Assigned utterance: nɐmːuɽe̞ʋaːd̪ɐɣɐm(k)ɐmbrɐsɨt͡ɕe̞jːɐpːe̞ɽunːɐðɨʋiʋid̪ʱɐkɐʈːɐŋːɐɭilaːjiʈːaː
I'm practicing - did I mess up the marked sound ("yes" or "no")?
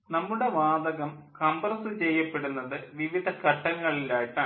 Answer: no